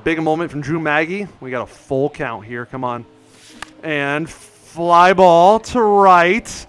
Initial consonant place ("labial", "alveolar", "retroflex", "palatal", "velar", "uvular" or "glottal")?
labial